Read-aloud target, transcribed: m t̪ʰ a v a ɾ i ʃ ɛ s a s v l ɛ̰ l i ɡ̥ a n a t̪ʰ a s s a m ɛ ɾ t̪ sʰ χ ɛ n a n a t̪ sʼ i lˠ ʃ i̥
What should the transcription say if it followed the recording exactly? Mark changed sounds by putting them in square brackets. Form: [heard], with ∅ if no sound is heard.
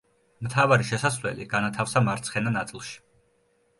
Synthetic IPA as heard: m t̪ʰ a v a ɾ i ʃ ɛ s a s v l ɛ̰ l i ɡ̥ a n a t̪ʰ a [f] s a m [a] ɾ t̪ sʰ χ ɛ n a n a t̪ sʼ i lˠ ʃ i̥

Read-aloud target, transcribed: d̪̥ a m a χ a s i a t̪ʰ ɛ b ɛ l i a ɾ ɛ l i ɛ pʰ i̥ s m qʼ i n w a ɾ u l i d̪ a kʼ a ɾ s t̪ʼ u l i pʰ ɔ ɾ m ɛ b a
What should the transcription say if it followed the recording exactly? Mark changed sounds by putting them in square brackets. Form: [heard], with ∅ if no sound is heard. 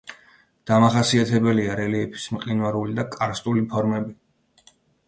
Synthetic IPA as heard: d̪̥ a m a χ a s i a t̪ʰ ɛ b ɛ l i a ɾ ɛ l i ɛ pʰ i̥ s m qʼ i n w a ɾ u l i d̪ a kʼ a ɾ s t̪ʼ u l i pʰ ɔ ɾ m ɛ b [i]

